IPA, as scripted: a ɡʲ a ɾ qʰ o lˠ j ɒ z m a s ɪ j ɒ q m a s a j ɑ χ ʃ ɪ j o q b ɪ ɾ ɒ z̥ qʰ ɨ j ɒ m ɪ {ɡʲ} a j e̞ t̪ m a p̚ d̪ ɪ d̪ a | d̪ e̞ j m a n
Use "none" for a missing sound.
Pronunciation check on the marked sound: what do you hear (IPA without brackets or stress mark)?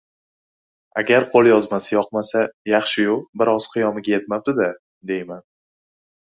ɡʲ